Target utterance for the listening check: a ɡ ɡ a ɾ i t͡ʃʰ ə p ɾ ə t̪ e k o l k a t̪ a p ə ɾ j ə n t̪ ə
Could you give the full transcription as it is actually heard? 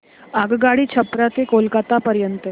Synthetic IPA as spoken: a ɡ ɡ a ɽ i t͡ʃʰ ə p ɾ a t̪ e k o l k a t̪ a p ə ɾ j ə n t̪ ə